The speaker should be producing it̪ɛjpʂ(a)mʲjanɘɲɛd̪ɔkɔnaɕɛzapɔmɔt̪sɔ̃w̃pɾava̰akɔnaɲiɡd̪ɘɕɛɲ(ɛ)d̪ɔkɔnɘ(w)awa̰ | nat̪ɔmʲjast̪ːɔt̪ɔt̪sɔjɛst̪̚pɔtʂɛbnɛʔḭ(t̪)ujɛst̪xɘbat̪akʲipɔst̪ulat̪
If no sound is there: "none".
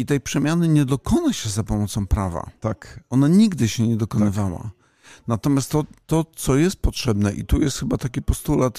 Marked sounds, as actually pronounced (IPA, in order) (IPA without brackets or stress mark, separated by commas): ɛ, ɛ, v, t̪